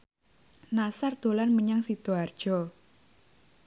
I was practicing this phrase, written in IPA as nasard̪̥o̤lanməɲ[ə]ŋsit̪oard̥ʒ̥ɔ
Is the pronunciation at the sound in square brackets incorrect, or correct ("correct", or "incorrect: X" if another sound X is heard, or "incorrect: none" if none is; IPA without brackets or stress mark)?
incorrect: a